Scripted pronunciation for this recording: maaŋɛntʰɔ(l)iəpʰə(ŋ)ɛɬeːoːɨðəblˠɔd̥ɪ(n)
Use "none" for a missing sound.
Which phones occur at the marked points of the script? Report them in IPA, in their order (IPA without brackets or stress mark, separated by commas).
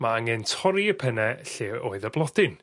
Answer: ɾ, n, n